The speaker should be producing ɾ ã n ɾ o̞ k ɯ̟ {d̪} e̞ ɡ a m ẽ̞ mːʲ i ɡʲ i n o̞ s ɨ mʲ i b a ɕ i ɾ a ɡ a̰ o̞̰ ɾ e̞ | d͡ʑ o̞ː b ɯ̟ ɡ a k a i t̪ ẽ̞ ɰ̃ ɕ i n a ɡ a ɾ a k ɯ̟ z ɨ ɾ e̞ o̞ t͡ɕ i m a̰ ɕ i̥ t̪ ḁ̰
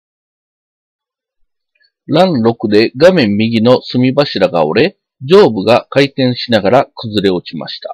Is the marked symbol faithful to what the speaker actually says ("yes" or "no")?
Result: yes